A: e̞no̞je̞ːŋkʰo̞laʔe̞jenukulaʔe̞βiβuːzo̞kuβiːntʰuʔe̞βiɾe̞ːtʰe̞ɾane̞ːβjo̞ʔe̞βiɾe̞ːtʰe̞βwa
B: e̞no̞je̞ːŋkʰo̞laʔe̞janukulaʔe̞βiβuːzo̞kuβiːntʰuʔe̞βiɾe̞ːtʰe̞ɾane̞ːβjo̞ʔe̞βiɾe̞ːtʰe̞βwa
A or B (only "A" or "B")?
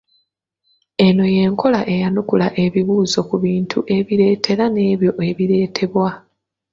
B